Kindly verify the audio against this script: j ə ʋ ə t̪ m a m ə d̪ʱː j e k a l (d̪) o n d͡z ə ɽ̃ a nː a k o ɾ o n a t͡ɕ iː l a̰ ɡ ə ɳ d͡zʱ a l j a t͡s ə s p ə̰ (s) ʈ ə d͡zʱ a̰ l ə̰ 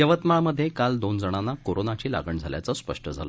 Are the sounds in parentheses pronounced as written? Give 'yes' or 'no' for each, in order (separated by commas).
yes, no